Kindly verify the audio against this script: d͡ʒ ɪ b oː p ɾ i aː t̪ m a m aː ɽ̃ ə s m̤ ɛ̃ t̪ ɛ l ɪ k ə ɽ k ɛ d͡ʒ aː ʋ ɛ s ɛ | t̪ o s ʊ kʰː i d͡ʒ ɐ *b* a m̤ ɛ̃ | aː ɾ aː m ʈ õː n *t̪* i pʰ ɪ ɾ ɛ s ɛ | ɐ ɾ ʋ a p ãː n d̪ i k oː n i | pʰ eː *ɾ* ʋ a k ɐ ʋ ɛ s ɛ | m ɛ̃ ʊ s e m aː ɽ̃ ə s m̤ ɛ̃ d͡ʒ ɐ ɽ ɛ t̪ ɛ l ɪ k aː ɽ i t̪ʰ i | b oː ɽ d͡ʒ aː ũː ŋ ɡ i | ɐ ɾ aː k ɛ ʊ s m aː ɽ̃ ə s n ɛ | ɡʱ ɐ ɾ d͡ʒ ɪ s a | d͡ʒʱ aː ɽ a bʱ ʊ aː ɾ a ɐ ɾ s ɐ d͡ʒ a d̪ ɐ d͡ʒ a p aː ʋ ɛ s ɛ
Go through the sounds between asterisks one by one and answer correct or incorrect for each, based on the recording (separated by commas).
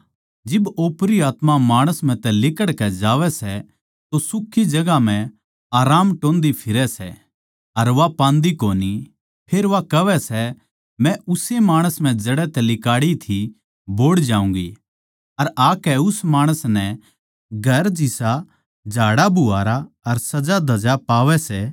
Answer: incorrect, incorrect, correct